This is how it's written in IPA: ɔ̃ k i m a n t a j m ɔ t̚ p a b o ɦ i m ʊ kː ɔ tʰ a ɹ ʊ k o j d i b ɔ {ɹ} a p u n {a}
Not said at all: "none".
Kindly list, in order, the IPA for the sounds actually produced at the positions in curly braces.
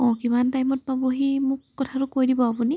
none, i

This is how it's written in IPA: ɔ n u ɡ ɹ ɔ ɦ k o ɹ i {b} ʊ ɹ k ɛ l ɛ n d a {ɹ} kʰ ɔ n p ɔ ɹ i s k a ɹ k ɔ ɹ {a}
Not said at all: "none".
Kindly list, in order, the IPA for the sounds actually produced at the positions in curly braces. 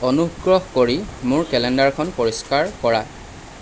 m, ɹ, a

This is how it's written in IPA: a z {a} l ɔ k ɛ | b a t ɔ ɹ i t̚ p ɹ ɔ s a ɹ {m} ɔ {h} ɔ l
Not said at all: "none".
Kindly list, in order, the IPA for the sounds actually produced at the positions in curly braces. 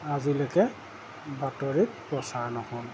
i, n, h

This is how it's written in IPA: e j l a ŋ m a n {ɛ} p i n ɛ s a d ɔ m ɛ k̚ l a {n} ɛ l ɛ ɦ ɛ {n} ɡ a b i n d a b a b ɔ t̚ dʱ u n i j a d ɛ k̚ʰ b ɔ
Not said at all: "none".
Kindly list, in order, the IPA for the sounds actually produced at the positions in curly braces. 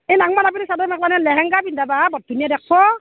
a, n, ŋ

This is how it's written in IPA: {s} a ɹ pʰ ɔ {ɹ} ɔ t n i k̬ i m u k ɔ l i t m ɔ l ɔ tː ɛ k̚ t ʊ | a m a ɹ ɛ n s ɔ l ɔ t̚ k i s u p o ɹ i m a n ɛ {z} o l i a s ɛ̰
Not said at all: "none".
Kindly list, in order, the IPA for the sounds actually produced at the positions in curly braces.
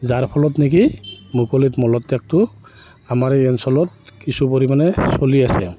z, l, s

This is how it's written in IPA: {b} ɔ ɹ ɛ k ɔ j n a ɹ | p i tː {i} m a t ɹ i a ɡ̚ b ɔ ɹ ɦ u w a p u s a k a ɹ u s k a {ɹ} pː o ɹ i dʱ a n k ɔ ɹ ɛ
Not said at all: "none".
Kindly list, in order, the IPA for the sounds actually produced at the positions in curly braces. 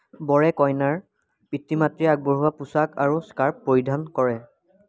b, i, ɹ

